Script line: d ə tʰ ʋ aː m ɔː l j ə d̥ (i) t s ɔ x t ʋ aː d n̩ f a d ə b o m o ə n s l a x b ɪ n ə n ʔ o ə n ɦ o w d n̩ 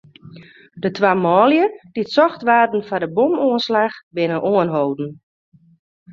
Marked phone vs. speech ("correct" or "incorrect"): correct